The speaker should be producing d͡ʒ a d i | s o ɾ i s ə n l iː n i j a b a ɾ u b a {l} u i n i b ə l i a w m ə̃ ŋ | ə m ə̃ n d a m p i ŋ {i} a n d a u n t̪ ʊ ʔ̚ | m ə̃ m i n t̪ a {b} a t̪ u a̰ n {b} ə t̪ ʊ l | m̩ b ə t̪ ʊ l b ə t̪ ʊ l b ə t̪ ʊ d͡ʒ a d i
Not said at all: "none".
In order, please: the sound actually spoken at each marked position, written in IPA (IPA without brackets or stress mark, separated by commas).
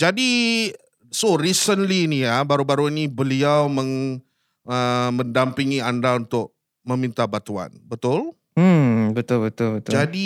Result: ɾ, i, b, b